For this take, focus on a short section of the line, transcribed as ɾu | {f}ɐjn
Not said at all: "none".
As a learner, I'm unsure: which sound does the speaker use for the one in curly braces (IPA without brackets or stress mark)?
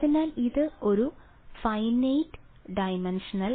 f